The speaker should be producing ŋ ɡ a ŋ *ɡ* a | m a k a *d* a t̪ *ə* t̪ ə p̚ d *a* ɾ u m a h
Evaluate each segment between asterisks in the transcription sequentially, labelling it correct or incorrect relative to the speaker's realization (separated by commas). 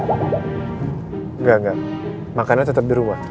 correct, incorrect, correct, incorrect